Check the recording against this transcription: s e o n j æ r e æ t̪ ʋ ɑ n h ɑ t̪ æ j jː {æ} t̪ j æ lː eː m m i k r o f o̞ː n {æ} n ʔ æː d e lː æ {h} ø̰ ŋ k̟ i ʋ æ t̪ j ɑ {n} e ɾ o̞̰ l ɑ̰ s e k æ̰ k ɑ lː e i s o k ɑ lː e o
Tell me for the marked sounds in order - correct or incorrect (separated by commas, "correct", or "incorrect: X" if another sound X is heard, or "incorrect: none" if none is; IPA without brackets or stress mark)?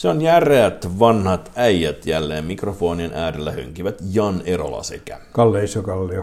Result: correct, incorrect: i, correct, correct